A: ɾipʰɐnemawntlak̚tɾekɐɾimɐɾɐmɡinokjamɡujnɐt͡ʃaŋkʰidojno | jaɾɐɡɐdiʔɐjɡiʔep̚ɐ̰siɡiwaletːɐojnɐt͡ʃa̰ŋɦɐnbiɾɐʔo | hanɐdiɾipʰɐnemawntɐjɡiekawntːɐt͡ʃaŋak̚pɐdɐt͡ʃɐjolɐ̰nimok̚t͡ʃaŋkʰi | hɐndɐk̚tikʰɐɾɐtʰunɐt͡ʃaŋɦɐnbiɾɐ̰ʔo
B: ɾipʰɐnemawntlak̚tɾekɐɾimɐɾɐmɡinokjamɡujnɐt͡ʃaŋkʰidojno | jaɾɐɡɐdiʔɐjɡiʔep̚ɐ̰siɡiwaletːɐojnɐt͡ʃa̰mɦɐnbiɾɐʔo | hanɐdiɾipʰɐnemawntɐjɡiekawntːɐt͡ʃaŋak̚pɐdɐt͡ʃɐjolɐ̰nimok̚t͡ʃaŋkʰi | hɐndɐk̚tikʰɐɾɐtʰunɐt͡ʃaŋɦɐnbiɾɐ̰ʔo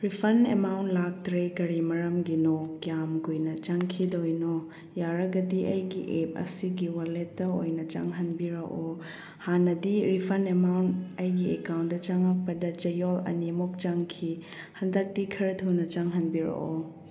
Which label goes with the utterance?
A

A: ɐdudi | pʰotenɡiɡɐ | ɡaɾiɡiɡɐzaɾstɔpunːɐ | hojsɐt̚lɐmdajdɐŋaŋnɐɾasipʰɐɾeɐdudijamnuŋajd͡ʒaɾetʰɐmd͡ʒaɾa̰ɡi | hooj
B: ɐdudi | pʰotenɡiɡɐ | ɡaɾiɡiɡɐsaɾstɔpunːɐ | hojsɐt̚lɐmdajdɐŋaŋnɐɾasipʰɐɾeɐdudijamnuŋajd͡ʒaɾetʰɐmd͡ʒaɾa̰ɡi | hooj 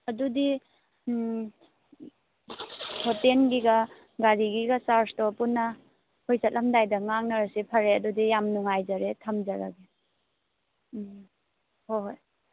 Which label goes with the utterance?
B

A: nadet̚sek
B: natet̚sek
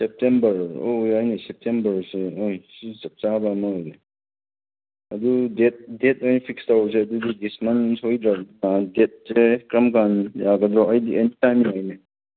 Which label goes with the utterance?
A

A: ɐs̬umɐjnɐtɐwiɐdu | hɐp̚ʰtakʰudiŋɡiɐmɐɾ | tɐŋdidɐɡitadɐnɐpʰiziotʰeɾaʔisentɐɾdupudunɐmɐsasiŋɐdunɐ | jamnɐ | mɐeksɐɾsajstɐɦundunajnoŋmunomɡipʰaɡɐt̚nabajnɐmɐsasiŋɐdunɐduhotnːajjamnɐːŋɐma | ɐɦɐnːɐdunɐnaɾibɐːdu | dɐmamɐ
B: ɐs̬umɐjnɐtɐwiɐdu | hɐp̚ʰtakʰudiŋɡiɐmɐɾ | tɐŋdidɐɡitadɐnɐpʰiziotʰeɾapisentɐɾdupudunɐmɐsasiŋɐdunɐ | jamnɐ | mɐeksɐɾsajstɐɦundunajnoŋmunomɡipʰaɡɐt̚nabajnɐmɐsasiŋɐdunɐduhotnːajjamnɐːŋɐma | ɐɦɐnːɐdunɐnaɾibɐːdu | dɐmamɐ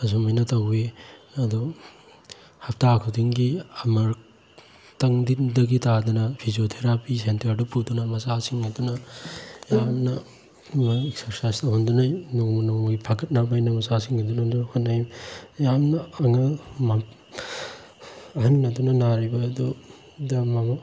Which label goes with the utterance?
B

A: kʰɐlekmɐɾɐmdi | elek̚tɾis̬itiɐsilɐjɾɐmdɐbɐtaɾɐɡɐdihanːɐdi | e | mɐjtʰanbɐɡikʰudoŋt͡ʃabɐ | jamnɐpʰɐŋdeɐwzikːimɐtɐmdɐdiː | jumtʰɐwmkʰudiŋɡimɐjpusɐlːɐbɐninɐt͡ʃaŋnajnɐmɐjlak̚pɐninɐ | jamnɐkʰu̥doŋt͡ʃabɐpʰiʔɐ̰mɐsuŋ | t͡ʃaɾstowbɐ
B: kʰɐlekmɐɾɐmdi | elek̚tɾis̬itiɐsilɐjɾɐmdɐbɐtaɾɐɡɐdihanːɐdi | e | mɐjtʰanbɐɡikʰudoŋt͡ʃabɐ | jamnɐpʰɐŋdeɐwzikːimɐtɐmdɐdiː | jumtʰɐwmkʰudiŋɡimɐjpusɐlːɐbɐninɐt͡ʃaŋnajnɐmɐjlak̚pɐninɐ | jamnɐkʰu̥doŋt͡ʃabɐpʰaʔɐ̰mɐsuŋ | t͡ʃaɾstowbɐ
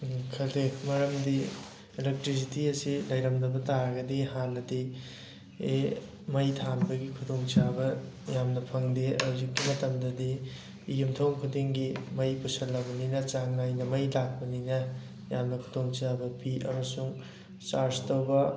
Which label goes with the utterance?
A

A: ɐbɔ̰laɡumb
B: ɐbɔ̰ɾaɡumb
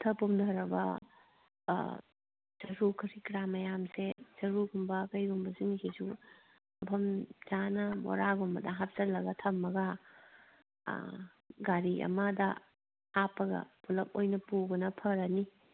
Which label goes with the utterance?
B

